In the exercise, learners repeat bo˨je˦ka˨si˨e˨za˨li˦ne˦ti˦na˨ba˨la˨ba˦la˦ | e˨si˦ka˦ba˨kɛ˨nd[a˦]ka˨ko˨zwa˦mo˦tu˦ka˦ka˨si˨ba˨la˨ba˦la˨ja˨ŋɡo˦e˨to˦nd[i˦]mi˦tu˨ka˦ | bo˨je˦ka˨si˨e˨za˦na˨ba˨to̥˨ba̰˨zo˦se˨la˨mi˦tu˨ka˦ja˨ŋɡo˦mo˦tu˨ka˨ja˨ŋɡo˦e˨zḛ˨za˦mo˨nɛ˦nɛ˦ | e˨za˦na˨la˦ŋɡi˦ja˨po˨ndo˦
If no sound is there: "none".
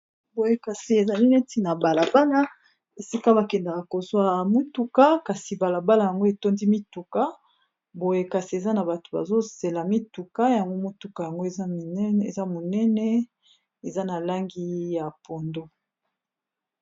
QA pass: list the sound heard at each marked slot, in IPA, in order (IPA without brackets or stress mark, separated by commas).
a˨, i˦